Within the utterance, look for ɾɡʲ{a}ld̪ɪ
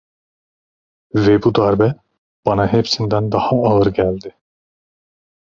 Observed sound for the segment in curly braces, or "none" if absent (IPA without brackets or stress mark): æ